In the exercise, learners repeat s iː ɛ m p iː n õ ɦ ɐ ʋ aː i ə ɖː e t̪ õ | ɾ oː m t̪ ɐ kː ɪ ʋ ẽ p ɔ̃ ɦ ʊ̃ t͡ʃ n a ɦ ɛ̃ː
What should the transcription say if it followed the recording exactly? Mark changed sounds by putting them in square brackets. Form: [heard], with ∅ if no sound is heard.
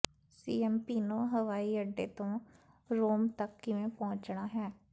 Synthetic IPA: s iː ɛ m p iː n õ ɦ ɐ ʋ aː i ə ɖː e t̪ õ | ɾ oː m t̪ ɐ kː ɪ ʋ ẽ p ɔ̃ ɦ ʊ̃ t͡ʃ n a ɦ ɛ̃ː